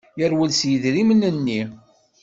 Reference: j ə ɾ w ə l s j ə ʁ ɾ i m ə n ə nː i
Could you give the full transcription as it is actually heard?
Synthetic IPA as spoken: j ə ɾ w ə l s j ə ð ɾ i m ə n ə nː i